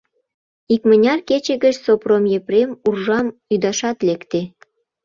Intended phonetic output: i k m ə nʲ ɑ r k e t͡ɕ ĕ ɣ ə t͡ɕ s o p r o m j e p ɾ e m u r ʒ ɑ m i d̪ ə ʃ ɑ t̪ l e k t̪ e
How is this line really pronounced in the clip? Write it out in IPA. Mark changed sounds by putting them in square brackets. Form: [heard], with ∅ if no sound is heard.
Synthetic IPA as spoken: i k m ə nʲ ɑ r k e t͡ɕ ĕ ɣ ə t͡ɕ s o p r o m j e p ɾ e m u r ʒ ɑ m [y] d̪ [ɑ] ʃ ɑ t̪ l e k t̪ e